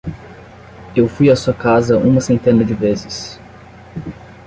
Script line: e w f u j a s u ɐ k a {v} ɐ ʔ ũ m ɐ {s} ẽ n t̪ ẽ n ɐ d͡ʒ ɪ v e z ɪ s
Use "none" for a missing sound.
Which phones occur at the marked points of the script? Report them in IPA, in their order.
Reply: z, s

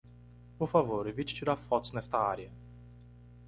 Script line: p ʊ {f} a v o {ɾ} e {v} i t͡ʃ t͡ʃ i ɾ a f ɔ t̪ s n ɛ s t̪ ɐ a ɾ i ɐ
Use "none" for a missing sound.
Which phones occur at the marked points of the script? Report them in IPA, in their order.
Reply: f, ɾ, v

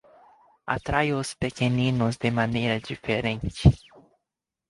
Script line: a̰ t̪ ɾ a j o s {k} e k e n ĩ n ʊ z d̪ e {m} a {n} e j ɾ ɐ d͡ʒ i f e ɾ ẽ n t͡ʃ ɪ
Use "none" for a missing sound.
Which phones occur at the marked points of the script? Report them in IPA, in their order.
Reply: p, m, n

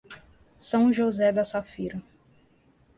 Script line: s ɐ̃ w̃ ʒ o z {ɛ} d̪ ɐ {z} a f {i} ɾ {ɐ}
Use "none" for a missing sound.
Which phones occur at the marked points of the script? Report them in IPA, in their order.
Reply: ɛ, s, i, ɐ

